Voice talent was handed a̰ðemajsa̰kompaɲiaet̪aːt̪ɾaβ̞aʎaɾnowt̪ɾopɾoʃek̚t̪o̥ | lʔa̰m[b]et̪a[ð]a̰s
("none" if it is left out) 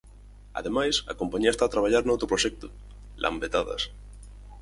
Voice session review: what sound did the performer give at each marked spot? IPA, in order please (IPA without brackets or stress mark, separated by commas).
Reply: b, ð